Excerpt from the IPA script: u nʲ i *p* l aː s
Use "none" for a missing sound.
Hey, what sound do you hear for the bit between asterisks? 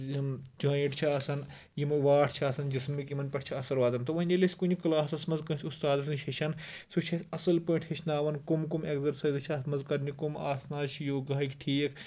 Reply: k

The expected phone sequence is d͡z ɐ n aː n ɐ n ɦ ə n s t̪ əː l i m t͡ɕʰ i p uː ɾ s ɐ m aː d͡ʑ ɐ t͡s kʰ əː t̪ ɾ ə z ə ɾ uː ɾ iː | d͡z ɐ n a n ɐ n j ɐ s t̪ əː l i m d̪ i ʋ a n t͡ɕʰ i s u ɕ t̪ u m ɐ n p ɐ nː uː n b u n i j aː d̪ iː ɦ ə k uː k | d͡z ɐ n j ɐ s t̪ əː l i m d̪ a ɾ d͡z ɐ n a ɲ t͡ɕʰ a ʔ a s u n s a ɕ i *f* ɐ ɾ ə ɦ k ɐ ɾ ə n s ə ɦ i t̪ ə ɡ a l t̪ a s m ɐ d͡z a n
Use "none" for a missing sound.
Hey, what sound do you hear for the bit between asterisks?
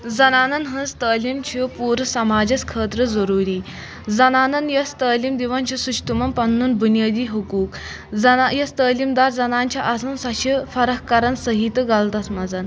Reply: f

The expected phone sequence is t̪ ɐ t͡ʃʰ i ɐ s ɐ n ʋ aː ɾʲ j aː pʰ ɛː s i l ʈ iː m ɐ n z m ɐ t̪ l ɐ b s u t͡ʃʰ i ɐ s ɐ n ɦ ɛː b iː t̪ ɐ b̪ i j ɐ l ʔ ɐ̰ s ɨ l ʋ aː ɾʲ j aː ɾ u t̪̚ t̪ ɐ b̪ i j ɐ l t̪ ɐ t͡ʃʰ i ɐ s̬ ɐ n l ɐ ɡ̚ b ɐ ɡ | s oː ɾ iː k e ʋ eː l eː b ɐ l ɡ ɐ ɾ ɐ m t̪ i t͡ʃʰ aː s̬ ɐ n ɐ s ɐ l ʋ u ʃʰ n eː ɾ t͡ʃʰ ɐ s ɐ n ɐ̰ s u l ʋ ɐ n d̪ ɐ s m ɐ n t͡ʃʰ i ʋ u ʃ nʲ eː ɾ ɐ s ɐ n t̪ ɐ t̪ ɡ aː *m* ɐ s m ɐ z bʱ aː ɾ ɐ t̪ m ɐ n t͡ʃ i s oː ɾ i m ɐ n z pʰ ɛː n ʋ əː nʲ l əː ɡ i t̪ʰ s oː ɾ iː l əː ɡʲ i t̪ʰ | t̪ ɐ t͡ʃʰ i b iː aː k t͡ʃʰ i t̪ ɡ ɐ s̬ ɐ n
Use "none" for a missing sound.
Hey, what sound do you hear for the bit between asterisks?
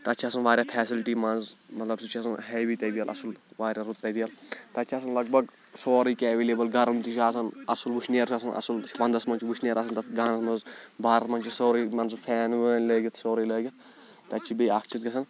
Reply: n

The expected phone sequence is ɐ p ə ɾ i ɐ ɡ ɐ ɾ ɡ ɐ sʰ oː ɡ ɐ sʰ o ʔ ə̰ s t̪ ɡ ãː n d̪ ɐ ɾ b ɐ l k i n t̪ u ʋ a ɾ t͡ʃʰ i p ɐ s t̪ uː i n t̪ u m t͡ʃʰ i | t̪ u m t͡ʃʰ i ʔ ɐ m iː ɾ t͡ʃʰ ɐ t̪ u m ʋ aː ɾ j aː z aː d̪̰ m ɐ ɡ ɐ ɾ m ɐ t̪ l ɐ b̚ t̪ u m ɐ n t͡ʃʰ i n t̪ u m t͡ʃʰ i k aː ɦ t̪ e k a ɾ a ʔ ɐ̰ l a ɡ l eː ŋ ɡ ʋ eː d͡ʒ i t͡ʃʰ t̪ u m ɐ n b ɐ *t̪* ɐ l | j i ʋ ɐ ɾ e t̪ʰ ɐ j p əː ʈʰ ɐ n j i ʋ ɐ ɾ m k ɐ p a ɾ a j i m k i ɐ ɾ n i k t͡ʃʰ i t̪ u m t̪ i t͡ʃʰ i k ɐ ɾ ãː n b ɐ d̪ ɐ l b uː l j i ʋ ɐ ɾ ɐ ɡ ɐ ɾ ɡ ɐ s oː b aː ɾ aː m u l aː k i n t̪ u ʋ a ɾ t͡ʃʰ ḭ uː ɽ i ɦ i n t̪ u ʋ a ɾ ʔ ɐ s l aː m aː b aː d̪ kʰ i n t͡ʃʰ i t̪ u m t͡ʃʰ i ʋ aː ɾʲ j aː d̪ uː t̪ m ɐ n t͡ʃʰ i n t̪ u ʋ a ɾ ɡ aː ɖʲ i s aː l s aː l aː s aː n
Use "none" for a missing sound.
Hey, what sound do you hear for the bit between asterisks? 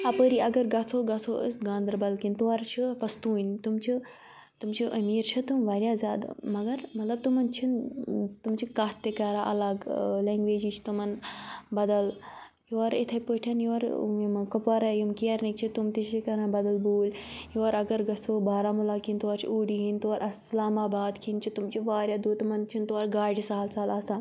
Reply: d̪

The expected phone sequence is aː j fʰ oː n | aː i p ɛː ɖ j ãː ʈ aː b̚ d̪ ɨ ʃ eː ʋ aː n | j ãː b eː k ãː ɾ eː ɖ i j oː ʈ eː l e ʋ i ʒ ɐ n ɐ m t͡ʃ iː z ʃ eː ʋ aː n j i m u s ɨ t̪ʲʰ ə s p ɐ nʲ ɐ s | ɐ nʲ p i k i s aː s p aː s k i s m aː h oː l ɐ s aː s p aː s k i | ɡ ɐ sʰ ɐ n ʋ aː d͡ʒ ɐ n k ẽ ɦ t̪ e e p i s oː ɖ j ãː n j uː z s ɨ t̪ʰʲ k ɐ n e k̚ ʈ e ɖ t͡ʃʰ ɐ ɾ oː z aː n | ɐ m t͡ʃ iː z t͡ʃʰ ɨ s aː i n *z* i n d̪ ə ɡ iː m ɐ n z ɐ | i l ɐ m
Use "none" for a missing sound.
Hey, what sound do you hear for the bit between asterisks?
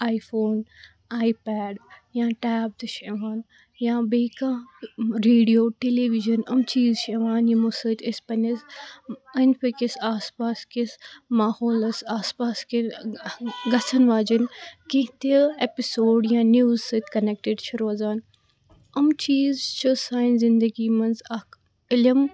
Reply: z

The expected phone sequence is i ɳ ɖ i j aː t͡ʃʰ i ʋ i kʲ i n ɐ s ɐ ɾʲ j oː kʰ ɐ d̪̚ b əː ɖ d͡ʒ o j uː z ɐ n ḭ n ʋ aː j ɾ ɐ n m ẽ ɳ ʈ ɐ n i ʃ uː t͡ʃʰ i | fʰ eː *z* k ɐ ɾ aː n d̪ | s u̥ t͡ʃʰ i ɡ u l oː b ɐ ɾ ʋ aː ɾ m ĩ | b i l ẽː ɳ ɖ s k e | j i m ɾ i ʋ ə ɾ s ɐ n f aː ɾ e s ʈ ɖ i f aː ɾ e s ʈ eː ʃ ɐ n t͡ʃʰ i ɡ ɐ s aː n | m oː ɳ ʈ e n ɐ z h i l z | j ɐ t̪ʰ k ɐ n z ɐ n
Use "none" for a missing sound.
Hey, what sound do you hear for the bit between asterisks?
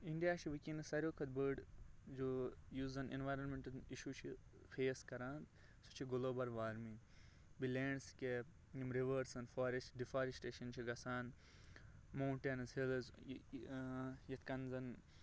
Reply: s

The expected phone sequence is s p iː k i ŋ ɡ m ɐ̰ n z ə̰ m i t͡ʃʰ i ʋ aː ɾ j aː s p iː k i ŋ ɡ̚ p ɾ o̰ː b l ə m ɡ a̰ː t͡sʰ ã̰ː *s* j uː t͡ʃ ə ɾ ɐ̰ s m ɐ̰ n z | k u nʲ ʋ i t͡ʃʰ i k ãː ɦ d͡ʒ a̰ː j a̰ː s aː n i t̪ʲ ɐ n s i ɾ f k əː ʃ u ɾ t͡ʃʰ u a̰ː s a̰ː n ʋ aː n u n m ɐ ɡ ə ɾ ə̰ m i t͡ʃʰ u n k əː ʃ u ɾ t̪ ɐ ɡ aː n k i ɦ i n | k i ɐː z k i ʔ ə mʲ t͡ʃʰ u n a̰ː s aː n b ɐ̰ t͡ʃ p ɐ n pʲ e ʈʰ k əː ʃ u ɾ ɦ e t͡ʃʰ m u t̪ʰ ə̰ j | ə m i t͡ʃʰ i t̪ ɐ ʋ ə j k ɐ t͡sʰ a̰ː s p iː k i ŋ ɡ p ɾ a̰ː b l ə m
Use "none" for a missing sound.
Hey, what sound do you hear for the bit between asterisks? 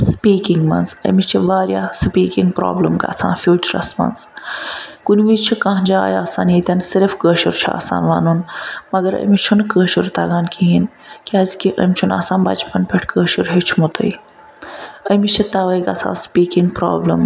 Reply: f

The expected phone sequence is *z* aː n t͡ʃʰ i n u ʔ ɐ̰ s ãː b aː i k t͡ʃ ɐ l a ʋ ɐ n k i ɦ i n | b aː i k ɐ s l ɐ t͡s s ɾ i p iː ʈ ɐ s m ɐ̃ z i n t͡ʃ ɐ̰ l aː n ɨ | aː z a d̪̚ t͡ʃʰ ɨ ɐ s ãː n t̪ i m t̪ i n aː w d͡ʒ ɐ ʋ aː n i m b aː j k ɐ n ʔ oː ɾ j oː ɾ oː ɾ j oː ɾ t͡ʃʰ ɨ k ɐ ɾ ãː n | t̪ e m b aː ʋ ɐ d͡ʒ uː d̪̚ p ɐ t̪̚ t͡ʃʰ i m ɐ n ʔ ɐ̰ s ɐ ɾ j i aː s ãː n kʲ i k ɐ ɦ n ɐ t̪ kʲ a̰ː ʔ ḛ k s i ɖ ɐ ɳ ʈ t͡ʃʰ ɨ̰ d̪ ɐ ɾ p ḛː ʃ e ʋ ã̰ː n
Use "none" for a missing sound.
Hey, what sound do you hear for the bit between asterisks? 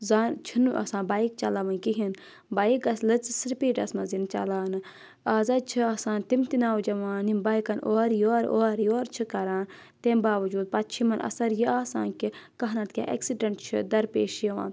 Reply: z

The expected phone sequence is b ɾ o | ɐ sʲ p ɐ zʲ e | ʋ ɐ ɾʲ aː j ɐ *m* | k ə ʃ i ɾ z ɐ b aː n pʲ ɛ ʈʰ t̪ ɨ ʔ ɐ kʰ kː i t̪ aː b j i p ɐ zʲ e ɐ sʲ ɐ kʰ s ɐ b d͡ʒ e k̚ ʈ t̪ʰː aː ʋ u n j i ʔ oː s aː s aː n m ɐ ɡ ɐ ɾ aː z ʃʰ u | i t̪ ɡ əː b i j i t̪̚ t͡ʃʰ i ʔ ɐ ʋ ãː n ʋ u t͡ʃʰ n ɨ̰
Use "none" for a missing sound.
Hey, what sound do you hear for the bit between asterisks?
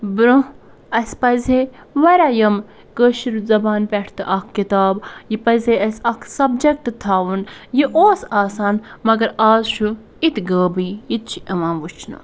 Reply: m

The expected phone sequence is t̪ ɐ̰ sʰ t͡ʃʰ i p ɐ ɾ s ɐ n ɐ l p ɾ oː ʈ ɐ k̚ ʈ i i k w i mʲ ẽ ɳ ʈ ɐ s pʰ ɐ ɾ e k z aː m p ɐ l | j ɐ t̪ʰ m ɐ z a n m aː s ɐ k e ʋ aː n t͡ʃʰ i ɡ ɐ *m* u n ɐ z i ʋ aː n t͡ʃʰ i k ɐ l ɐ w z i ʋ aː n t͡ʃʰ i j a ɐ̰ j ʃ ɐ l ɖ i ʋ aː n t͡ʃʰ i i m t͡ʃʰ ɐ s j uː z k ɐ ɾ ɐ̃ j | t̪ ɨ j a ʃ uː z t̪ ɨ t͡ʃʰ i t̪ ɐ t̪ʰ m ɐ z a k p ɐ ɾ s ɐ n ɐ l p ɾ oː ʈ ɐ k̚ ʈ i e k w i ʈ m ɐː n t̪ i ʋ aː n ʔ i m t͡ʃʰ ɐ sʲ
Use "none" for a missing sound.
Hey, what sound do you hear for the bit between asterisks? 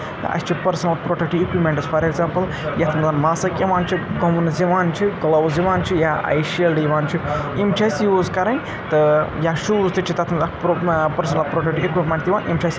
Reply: m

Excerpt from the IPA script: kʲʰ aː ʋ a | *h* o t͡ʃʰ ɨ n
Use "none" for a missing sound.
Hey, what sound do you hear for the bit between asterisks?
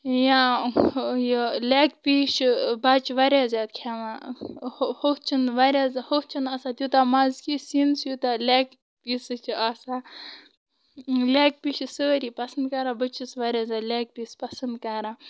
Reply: h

